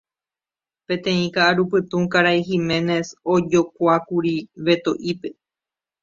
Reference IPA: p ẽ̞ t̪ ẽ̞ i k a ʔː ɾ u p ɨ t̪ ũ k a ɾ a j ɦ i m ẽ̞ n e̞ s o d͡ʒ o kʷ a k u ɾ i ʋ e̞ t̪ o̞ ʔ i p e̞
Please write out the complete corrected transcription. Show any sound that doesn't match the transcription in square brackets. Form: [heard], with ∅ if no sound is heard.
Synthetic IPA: p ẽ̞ t̪ ẽ̞ [ĩ] k a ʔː ɾ u p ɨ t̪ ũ k a ɾ a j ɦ i m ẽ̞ n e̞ s o d͡ʒ o kʷ a k u ɾ i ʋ e̞ t̪ o̞ ʔ i p e̞

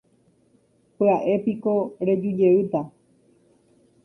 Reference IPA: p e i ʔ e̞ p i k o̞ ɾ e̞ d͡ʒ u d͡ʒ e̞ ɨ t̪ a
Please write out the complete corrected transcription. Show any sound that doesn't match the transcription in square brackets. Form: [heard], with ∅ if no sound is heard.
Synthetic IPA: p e [a] ʔ e̞ p i k o̞ ɾ e̞ d͡ʒ u d͡ʒ e̞ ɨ t̪ a

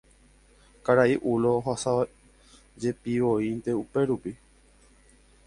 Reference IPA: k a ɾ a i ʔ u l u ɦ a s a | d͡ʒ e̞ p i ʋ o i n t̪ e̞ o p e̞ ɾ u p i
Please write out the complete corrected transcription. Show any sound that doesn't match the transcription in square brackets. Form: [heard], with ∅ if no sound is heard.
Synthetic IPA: k a ɾ a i ʔ u l [o] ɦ a s a | d͡ʒ e̞ p i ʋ o i n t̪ e̞ [u] p e̞ ɾ u p i

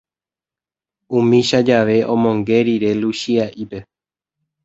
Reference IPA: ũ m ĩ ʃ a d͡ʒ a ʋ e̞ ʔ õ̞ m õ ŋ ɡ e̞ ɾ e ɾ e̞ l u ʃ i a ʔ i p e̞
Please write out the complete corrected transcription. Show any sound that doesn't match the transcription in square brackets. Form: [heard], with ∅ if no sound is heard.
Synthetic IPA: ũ m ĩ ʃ a d͡ʒ a ʋ e̞ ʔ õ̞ m õ ŋ ɡ e̞ ɾ [i] ɾ e̞ l u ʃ i a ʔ i p e̞

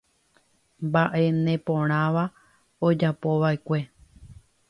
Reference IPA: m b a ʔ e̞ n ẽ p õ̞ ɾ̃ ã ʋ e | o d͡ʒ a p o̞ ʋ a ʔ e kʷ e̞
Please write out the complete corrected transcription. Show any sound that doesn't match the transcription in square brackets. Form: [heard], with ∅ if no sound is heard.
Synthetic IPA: m b a ʔ e̞ n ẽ p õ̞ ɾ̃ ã ʋ [a] | o d͡ʒ a p o̞ ʋ a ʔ e kʷ e̞

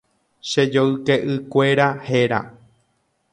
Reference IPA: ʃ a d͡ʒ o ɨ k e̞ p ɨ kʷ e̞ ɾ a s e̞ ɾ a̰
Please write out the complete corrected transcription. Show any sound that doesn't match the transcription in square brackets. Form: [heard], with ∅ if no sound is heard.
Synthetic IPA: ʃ [e] d͡ʒ o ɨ k e̞ [ʔ] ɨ kʷ e̞ ɾ a [h] e̞ ɾ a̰

